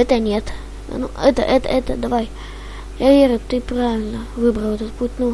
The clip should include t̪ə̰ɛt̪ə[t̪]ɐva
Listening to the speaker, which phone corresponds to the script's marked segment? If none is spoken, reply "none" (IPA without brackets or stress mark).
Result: d̪